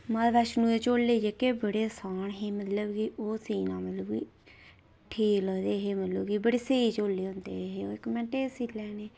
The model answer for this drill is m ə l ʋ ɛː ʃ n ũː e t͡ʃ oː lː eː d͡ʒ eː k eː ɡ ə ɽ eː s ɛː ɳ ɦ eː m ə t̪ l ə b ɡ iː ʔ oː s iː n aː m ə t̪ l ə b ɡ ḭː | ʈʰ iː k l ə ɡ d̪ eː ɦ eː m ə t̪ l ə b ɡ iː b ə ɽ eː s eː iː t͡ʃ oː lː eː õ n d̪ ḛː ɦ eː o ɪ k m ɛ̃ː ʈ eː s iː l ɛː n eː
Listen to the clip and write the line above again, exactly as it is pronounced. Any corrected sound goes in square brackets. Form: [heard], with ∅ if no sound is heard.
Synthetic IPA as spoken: m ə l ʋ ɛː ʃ n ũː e t͡ʃ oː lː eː d͡ʒ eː k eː [b] ə ɽ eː s [aː] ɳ ɦ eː m ə t̪ l ə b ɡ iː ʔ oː s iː n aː m ə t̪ l ə b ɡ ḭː | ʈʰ iː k l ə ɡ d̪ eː ɦ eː m ə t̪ l ə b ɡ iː b ə ɽ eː s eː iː t͡ʃ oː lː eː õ n d̪ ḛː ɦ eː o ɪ k m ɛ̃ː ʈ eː s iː l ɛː n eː

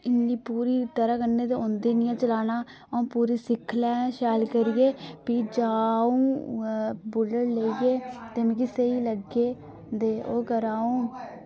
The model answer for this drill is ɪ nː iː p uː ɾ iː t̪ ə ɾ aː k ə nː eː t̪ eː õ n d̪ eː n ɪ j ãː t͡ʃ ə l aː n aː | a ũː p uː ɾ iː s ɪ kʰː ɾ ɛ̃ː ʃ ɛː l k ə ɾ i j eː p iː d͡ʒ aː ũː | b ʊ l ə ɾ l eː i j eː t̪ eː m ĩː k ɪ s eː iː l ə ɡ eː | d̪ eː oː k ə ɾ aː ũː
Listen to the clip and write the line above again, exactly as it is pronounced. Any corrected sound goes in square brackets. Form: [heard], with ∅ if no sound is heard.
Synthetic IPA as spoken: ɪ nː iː p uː ɾ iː t̪ ə ɾ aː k ə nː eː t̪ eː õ n d̪ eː n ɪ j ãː t͡ʃ ə l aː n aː | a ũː p uː ɾ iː s ɪ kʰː [l] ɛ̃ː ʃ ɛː l k ə ɾ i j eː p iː d͡ʒ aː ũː | b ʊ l ə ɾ l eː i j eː t̪ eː m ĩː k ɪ s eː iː l ə ɡ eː | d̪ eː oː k ə ɾ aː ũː

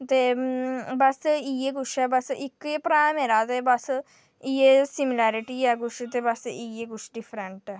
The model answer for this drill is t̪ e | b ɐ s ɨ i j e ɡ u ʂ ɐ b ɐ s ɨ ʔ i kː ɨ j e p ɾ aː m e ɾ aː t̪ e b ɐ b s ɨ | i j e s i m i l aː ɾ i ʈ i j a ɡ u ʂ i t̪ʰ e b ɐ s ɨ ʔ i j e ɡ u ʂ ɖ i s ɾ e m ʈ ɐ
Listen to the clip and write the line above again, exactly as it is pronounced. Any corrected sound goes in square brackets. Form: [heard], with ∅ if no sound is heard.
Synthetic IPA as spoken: t̪ e | b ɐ s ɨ i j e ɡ u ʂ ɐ b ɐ s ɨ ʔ i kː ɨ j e p ɾ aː m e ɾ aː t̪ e b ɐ [∅] s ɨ | i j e s i m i l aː ɾ i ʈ i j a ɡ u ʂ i [t̪] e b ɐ s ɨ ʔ i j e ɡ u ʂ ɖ i [f] ɾ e [ɳ] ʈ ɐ

